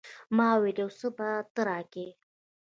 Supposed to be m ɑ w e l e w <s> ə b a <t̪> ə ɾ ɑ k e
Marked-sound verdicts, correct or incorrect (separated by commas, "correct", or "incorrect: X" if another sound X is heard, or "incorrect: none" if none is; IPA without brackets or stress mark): correct, correct